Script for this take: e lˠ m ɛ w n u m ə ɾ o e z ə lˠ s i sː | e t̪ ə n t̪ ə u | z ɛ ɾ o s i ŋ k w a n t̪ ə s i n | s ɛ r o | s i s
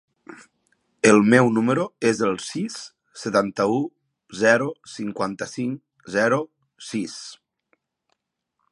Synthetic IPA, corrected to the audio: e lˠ m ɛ w n u m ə ɾ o e z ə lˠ s i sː | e t̪ a n t̪ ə u | z ɛ ɾ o s i ŋ k w a n t̪ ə s i ŋ | z ɛ ɾ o | s i s